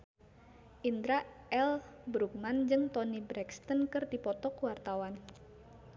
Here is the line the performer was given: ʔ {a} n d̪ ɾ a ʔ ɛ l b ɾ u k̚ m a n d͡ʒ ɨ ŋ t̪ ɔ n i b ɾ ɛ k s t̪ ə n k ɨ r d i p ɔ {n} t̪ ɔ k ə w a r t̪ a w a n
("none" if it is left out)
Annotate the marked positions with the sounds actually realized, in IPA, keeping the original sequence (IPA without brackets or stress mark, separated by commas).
i, none